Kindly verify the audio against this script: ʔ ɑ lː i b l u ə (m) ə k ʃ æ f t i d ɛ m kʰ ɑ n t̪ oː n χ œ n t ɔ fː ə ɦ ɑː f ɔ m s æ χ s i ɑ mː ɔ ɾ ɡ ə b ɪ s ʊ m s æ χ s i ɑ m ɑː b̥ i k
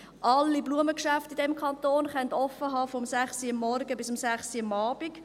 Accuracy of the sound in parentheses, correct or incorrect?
correct